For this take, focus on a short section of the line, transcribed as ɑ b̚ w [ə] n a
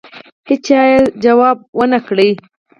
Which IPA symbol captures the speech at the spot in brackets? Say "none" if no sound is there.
ə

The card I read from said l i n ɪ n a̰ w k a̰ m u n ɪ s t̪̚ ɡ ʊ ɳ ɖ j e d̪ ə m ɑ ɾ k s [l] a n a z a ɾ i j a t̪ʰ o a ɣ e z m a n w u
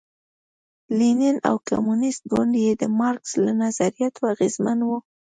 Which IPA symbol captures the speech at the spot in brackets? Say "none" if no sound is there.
l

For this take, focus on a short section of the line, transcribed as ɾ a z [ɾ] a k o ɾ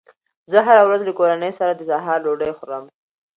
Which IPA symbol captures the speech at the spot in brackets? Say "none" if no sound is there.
l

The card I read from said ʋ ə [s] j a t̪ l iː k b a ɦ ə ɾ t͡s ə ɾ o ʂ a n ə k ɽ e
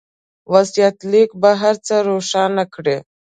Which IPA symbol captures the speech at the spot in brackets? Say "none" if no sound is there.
s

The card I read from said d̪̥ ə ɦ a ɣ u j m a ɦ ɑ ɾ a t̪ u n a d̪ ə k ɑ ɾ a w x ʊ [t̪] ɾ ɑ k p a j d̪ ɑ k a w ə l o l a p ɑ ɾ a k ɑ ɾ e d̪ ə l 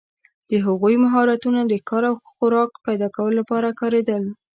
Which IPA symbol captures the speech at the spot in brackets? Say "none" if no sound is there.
none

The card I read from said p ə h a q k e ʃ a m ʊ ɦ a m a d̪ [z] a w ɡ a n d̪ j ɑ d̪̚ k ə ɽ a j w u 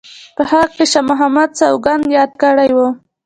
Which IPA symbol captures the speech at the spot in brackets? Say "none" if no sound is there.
s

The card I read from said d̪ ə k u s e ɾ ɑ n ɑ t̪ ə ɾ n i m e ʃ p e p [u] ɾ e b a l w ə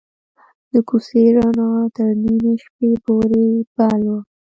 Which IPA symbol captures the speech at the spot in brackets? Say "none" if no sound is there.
o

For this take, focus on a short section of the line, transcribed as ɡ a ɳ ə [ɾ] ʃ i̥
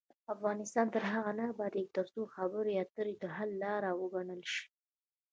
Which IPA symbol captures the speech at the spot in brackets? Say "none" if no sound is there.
l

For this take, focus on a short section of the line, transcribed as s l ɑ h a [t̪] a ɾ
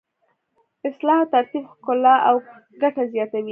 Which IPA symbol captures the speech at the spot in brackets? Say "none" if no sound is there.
t̪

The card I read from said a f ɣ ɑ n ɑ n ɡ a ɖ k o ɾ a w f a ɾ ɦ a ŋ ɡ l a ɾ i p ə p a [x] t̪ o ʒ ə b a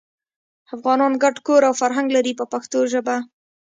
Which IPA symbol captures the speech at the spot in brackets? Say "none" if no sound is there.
x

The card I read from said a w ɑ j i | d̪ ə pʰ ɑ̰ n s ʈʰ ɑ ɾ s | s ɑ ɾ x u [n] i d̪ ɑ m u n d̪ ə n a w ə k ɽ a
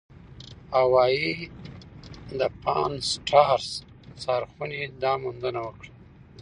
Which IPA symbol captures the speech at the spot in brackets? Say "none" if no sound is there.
n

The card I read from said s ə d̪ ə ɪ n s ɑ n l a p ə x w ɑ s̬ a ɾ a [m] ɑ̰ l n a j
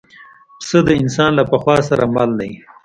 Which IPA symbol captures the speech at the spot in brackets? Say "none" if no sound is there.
m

